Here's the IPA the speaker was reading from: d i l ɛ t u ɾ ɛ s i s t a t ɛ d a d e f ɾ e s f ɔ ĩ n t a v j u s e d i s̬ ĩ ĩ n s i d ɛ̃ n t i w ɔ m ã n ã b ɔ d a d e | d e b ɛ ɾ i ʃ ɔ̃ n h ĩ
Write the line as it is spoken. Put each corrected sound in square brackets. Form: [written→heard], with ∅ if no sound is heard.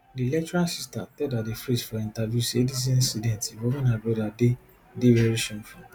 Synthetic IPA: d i l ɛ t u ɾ [ɛ→a] s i s t a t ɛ d a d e f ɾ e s f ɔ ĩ n t a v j u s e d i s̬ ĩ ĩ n s i d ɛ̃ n t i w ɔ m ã n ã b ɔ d a d e | d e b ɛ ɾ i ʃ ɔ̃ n [h→f] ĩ